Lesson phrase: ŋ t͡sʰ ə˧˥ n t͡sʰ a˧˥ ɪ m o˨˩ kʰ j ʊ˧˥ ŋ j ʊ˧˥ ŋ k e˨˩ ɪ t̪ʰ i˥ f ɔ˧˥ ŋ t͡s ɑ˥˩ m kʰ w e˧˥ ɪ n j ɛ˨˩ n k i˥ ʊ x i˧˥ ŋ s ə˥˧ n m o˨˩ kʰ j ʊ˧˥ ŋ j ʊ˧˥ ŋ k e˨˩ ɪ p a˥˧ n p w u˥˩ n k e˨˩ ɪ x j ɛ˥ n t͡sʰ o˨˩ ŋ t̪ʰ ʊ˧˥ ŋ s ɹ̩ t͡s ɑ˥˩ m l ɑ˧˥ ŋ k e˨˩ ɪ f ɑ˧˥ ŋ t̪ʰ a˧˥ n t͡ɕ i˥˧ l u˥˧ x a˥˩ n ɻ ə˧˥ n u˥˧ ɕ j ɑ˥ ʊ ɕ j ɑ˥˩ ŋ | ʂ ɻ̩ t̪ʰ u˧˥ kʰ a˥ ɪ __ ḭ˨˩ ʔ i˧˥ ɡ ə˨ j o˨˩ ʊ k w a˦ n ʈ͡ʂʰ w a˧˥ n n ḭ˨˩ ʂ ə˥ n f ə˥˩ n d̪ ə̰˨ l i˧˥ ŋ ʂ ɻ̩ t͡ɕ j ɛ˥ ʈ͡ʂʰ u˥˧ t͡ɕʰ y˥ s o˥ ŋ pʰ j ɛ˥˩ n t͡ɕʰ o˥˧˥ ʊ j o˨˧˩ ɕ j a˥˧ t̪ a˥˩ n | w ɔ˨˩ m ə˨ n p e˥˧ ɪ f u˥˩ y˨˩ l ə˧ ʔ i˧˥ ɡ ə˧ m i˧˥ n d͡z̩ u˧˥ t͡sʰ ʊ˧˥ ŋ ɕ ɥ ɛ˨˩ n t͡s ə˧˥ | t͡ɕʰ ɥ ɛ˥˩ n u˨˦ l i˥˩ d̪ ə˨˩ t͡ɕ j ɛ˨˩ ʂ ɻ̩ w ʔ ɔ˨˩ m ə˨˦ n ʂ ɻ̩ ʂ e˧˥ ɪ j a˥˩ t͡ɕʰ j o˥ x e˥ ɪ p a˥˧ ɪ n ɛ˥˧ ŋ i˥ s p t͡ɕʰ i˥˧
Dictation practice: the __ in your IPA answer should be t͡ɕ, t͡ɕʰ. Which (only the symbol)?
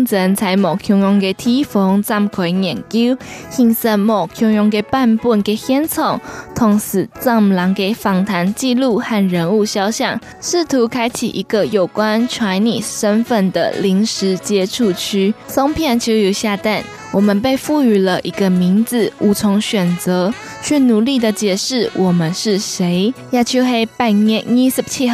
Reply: t͡ɕʰ